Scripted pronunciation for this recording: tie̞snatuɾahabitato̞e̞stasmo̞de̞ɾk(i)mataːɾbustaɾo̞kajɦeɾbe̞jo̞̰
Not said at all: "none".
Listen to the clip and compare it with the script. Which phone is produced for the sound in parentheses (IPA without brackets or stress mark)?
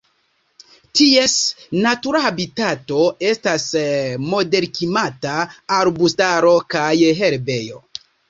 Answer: i